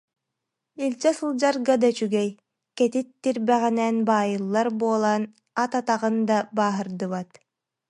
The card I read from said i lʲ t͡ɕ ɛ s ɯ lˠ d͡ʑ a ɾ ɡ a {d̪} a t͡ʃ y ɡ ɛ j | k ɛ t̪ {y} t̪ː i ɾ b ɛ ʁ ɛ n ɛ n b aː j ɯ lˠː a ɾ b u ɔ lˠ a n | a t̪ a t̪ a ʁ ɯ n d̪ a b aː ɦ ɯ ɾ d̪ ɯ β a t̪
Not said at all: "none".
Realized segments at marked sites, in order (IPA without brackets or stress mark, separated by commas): d̪, i